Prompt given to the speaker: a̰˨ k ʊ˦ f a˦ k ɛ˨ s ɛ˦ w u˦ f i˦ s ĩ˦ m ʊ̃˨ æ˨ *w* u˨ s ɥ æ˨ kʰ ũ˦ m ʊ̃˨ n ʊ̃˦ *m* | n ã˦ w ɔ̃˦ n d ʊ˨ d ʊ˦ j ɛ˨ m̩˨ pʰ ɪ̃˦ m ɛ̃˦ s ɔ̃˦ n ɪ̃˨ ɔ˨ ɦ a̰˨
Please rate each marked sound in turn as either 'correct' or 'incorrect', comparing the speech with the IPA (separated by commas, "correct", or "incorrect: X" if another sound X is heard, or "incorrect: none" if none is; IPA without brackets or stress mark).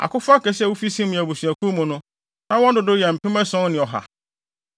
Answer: incorrect: b, incorrect: none